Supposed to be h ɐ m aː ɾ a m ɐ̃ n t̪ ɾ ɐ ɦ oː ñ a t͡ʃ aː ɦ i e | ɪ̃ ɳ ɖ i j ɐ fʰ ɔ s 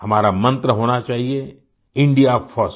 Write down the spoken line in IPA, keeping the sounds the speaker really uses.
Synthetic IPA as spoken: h ɐ m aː ɾ a m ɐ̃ n t̪ ɾ ə ɦ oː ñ a t͡ʃ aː ɦ i e | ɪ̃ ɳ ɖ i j a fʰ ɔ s